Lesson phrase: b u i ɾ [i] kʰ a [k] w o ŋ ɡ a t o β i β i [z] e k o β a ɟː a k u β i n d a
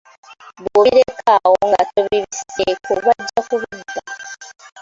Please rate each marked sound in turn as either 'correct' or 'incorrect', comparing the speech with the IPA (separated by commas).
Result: incorrect, incorrect, incorrect